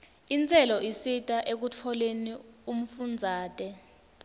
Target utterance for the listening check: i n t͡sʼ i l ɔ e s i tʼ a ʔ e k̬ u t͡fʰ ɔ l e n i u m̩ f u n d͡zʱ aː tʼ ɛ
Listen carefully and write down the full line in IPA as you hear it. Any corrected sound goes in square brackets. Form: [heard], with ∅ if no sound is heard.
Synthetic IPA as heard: i n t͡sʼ [ɛ] l ɔ [i] s i tʼ a ʔ e k̬ u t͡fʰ ɔ l e n i u m̩ f u n d͡zʱ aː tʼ ɛ